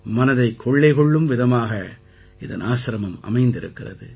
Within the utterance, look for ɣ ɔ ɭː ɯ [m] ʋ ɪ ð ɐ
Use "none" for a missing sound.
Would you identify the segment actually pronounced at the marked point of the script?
m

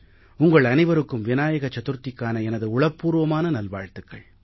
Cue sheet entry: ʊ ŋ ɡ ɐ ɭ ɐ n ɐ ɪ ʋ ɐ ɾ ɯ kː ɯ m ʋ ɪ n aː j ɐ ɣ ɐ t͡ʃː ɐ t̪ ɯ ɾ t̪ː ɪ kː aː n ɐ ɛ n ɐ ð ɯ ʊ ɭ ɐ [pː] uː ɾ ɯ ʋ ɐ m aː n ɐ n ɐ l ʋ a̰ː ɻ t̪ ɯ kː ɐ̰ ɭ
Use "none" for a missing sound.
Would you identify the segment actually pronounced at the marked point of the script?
pː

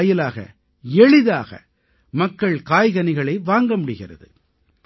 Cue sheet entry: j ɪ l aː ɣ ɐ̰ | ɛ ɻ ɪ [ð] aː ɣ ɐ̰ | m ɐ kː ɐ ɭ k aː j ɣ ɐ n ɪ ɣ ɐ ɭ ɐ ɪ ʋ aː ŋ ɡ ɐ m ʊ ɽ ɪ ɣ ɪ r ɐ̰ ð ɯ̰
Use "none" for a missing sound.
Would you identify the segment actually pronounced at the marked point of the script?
ð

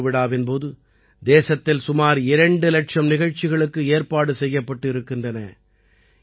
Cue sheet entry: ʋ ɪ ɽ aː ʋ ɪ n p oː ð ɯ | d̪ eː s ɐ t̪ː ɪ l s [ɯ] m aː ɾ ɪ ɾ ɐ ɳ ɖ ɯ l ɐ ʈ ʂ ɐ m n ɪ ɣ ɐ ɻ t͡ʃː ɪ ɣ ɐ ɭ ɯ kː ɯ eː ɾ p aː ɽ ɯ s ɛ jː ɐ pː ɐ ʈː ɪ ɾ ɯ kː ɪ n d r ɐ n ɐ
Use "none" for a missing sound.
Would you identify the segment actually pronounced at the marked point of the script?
ʊ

